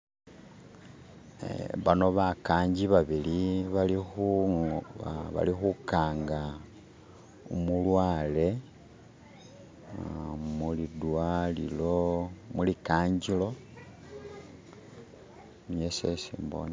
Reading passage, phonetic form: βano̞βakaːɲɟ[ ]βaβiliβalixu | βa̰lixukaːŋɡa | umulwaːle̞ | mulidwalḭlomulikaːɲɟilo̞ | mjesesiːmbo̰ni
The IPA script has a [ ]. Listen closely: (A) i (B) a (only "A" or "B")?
A